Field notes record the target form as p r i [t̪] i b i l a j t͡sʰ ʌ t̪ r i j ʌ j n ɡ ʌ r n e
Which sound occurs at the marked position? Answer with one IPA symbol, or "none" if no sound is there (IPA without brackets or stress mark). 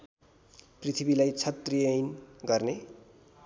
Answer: t̪ʰ